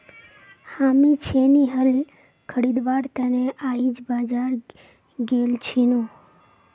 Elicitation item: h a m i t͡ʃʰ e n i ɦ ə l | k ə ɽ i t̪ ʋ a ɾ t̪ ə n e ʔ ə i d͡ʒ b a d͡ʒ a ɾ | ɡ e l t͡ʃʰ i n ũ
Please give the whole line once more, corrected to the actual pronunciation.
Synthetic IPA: h a m i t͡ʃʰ e n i ɦ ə l | kʰ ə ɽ i d̪ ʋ a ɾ t̪ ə n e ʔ a i d͡ʒ b a d͡ʒ a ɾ | ɡ e l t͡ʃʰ i n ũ

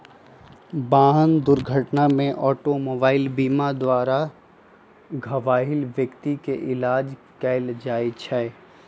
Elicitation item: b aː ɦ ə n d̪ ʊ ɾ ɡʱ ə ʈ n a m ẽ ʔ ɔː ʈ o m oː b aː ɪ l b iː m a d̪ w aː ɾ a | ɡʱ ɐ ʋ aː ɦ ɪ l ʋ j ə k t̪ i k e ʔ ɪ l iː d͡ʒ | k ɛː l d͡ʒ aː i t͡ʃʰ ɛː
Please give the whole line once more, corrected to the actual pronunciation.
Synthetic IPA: b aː ɦ ə n d̪ ʊ ɾ ɡʱ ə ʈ n a m ẽ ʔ ɔː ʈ o m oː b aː ɪ l b iː m a d̪ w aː ɾ a | ɡʱ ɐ ʋ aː ɦ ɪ l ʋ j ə k t̪ i k e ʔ ɪ l aː d͡ʒ | k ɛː l d͡ʒ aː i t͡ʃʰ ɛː

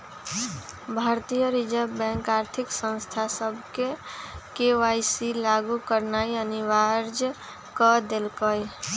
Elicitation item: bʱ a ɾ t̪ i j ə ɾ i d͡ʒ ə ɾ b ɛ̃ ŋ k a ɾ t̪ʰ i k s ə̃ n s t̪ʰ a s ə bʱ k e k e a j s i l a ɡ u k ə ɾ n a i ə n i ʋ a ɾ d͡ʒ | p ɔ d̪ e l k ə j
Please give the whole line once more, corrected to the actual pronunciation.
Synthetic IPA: bʱ a ɾ t̪ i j ə ɾ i d͡ʒ ə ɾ b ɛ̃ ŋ k a ɾ t̪ʰ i k s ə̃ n s t̪ʰ a s ə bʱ k e k e a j s i l a ɡ u k ə ɾ n a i ə n i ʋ a ɾ d͡ʒ | k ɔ d̪ e l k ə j

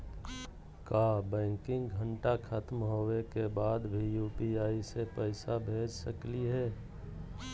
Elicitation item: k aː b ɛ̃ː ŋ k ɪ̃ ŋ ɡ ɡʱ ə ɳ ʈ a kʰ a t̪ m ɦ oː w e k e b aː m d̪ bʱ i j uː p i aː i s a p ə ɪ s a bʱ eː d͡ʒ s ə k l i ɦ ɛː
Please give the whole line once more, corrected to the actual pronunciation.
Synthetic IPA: k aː b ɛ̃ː ŋ k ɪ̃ ŋ ɡ ɡʱ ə ɳ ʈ a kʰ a t̪ m ɦ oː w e k e b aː d̪ bʱ i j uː p i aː i s e p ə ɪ s a bʱ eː d͡ʒ s ə k l i ɦ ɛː

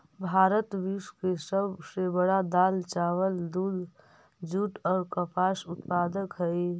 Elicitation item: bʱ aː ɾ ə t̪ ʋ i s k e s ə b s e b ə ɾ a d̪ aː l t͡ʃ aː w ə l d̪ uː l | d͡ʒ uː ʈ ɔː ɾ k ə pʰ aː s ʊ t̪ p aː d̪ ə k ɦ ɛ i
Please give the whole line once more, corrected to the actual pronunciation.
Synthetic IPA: bʱ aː ɾ ə t̪ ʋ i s k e s ə b s e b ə ɽ a d̪ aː l t͡ʃ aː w ə l d̪ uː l | d͡ʒ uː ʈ ɔː ɾ k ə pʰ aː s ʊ t̪ p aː d̪ ə k ɦ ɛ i

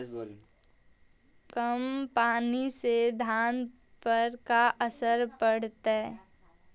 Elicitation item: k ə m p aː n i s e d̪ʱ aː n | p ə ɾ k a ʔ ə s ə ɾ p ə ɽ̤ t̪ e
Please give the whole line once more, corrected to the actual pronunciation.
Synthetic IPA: k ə m p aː n i s e d̪ʱ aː n | p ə ɾ k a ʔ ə s ə ɾ p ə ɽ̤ t̪ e

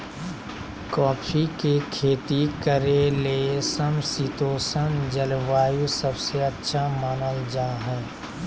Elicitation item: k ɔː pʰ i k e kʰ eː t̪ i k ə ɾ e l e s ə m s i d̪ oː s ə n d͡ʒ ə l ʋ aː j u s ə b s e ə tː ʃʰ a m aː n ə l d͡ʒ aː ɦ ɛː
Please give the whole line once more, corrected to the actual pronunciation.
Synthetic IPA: k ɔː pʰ i k e kʰ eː t̪ i k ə ɾ e l e s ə m s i t̪ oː s ə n d͡ʒ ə l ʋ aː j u s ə b s e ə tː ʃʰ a m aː n ə l d͡ʒ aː ɦ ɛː

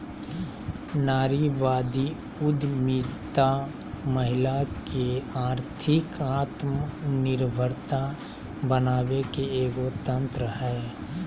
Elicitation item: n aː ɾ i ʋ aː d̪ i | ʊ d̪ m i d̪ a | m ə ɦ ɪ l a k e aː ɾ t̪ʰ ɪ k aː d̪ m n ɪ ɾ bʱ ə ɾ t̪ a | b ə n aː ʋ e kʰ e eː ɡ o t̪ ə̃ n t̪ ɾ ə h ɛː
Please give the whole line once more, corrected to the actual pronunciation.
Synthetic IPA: n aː ɾ i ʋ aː d̪ i | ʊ d̪ m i t̪ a | m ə ɦ ɪ l a k e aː ɾ t̪ʰ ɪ k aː t̪ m n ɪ ɾ bʱ ə ɾ t̪ a | b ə n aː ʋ e k e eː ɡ o t̪ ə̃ n t̪ ɾ ə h ɛː

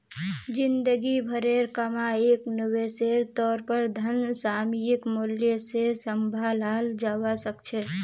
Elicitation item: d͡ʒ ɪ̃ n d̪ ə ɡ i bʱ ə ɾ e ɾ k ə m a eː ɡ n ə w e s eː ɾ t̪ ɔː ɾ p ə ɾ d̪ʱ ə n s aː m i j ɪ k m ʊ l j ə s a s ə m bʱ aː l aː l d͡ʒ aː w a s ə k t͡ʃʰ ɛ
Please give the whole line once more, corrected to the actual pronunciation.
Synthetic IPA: d͡ʒ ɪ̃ n d̪ ə ɡ i bʱ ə ɾ e ɾ k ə m a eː k n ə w e s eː ɾ t̪ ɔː ɾ p ə ɾ d̪ʱ ə n s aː m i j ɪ k m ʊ l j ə s e s ə m bʱ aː l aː l d͡ʒ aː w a s ə k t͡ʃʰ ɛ

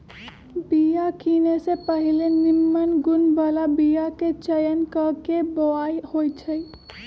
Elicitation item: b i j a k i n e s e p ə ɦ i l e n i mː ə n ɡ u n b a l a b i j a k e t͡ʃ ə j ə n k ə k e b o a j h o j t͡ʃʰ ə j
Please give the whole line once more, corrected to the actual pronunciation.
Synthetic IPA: b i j a k i n e s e p ə ɦ i l e n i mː ə n ɡ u n b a l a b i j a k e t͡ʃ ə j ə n k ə k e b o a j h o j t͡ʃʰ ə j

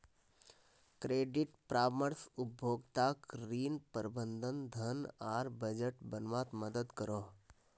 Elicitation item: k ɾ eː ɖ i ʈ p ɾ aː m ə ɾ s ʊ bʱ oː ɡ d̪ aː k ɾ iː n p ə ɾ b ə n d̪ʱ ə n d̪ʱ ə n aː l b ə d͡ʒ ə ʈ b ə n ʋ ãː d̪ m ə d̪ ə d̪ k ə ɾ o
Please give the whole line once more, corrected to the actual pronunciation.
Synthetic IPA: k ɾ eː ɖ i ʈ p ɾ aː m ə ɾ s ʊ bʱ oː ɡ t̪ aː k ɾ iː n p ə ɾ b ə n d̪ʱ ə n d̪ʱ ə n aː ɾ b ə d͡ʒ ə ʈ b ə n ʋ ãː t̪ m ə d̪ ə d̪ k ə ɾ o

